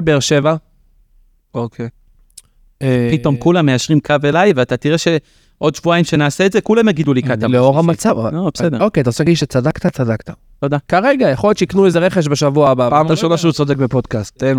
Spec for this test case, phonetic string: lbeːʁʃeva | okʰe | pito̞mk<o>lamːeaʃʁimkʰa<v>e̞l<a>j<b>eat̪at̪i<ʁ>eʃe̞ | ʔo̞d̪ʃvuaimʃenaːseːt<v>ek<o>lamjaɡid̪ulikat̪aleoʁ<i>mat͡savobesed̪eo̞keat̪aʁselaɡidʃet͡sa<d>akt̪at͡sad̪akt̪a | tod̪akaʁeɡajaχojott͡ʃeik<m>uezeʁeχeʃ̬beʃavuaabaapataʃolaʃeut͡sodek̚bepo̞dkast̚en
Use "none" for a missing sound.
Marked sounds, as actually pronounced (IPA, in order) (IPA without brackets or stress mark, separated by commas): u, v, a, v, ʁ, z, u, a, d, n